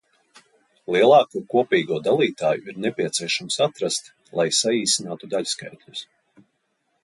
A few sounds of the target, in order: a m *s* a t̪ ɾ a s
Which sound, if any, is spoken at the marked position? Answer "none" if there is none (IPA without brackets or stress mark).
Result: s